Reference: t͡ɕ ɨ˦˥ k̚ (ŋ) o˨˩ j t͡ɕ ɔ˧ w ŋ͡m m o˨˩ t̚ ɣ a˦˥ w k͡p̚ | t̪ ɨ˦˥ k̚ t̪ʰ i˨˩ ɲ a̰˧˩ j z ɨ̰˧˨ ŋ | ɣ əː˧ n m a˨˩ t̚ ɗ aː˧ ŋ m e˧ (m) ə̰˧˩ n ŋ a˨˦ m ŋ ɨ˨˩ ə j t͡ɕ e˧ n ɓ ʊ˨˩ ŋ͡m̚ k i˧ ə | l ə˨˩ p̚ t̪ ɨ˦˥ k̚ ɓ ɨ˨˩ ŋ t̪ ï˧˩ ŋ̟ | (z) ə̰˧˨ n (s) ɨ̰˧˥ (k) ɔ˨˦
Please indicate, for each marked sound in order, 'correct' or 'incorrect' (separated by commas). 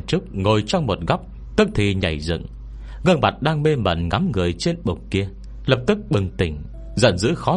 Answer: correct, correct, correct, incorrect, incorrect